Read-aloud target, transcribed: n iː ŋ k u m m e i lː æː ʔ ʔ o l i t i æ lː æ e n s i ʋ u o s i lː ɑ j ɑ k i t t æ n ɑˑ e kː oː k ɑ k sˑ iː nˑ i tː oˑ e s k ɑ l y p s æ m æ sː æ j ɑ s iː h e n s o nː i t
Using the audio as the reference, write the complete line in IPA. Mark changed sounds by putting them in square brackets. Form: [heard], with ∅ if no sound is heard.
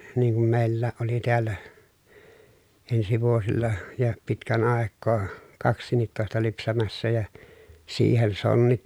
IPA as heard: n iː ŋ k u m m e i lː æː ʔ ʔ o l i t i æ lː æ e n s i ʋ u o s i lː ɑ j ɑ [p] i t [k] æ n ɑˑ e kː oː k ɑ k sˑ iː nˑ i tː oˑ e s [t] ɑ l y p s æ m æ sː æ j ɑ s iː h e n s o nː i t